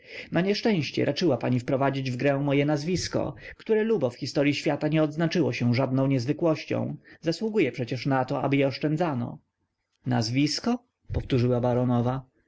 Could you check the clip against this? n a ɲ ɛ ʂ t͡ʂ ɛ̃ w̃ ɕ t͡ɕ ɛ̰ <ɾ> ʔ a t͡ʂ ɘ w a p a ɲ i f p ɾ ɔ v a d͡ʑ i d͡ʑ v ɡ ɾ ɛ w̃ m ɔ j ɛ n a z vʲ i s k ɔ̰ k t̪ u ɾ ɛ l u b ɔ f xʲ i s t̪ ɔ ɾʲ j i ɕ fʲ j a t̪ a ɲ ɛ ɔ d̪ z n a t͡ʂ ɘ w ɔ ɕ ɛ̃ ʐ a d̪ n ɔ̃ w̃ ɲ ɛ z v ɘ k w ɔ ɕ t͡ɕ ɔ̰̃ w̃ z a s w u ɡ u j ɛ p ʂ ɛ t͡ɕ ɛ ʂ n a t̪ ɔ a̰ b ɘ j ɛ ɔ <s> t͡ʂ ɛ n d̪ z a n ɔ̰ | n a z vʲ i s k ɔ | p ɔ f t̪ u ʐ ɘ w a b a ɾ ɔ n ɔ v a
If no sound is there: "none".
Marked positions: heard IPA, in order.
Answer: ɾ, ʂ

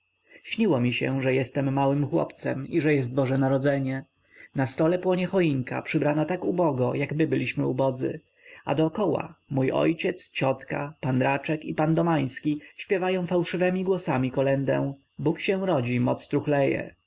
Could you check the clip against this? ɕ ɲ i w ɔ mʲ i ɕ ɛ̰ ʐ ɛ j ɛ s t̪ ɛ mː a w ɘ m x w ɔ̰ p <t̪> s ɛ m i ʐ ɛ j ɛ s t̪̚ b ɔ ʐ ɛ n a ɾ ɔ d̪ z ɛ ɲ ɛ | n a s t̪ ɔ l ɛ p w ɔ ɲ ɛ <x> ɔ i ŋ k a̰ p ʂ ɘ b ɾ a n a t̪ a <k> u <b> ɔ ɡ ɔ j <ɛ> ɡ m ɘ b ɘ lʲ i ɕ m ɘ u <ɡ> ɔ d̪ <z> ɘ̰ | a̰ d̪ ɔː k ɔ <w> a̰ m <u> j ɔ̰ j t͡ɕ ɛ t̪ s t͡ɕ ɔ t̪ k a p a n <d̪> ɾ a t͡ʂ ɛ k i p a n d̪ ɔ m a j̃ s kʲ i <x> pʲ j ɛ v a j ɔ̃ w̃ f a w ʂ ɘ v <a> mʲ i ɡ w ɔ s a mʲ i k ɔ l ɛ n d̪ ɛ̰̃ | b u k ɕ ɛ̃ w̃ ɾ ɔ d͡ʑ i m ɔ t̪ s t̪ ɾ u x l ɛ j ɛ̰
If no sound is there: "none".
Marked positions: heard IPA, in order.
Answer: t̪, x, k, b, a, b, z, w, u, d̪, ɕ, ɛ

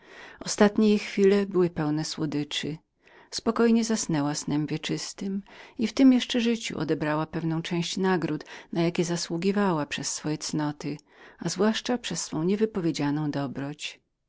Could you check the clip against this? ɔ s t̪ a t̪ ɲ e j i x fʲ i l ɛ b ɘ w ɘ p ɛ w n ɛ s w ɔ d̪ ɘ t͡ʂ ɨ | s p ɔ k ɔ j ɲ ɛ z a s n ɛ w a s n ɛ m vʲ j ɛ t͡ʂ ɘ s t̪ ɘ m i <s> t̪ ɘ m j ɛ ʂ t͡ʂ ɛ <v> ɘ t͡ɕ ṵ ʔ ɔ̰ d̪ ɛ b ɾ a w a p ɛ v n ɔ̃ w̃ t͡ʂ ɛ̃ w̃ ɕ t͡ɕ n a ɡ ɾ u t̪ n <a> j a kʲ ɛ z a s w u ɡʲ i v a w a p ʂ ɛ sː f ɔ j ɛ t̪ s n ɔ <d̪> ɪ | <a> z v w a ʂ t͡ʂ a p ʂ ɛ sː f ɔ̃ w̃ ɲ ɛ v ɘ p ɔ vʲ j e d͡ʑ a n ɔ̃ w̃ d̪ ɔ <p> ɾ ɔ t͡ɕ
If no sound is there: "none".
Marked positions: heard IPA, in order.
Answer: f, ʐ, a, t̪, a, b

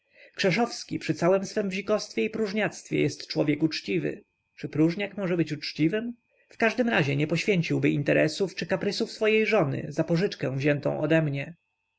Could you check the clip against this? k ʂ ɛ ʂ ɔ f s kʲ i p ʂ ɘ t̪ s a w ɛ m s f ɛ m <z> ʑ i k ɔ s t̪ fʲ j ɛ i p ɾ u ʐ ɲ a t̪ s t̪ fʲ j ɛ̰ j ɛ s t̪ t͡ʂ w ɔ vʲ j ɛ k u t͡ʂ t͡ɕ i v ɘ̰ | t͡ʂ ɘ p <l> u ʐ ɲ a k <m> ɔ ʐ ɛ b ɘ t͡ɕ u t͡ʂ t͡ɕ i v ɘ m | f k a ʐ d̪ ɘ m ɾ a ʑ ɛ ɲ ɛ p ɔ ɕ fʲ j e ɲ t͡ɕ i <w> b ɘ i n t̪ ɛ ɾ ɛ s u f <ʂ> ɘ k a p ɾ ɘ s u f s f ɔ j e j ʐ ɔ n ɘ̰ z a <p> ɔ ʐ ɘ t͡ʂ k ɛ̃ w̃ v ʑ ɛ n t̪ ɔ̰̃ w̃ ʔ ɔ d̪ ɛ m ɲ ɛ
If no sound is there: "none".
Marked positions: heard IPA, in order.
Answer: v, ɾ, m, w, t͡ʂ, p

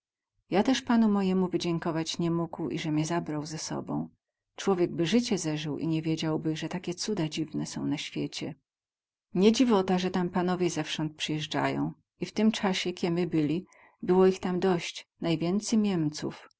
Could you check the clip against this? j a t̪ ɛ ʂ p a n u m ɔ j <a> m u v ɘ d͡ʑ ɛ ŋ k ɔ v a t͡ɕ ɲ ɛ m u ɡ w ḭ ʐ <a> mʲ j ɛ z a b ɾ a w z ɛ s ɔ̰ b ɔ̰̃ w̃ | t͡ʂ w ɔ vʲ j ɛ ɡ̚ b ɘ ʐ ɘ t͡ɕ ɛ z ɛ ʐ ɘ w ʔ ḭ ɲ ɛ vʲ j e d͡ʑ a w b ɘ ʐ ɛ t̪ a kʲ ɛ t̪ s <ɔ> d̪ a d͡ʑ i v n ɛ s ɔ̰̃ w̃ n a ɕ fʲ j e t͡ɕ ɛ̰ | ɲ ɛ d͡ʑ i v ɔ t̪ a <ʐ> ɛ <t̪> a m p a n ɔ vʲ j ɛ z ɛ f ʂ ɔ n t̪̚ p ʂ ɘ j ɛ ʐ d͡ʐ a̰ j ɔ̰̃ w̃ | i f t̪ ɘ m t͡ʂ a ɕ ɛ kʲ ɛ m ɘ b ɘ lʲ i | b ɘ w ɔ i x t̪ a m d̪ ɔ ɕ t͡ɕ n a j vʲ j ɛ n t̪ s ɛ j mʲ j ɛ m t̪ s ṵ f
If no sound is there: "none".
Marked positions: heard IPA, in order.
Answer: ɛ, ɛ, u, ʐ, t̪

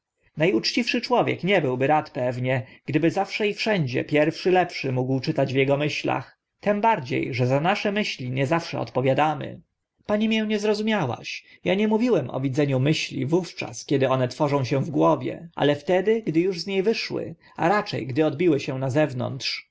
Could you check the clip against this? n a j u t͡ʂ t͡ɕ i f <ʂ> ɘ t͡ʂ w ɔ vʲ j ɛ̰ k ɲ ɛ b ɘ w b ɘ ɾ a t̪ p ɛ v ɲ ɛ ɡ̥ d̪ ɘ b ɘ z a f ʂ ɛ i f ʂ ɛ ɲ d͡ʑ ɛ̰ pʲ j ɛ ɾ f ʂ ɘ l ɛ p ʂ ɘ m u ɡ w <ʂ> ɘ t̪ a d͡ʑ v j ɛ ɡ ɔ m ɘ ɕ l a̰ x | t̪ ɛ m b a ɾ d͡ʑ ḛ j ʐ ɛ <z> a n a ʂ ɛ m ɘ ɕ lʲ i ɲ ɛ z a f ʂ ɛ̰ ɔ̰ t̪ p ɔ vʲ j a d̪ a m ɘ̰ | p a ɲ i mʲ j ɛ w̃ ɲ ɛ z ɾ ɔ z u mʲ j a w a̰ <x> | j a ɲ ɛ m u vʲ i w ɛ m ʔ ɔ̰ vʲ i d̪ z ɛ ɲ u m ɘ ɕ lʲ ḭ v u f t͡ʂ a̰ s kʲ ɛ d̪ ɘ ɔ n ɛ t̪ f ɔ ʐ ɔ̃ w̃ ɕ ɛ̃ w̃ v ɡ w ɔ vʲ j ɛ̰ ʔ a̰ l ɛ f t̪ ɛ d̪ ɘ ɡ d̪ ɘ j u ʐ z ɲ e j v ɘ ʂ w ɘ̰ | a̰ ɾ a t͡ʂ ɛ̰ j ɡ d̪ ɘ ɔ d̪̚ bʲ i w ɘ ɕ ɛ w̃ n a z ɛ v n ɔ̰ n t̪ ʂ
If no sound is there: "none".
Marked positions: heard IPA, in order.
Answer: ʂ, t͡ʂ, z, ɕ

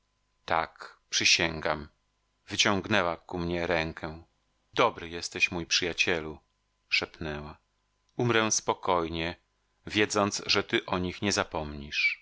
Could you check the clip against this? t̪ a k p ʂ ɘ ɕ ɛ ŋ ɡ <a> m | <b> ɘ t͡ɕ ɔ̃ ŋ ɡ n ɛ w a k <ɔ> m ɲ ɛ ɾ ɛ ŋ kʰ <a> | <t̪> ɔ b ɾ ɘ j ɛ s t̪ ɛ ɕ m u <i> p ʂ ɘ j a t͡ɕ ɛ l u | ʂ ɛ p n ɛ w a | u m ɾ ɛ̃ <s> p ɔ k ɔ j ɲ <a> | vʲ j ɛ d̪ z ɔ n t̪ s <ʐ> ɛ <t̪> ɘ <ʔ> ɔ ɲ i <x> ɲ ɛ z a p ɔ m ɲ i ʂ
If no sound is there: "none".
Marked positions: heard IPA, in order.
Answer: a, v, u, ɛ, d̪, j, s, ɛ, ʐ, t̪, ʔ, x

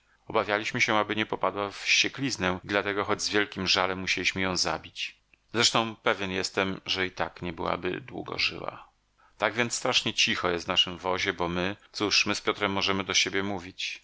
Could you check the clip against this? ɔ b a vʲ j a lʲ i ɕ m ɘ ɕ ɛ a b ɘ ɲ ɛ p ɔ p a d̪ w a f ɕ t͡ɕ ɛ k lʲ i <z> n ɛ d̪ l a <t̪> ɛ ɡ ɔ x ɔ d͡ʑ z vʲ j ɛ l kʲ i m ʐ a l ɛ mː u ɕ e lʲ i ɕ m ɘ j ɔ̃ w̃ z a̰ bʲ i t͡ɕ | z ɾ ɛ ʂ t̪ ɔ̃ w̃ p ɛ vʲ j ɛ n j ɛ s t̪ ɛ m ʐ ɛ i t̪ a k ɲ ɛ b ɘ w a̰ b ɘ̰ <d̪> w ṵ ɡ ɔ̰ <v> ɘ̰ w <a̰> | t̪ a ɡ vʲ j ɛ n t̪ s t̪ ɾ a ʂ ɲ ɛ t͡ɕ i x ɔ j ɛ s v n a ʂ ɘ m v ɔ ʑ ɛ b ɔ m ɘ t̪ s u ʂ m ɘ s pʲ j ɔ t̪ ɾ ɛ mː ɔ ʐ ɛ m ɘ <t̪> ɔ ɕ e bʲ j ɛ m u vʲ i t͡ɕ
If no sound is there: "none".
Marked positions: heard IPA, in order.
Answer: z, t̪, d̪, ʐ, a̰, d̪

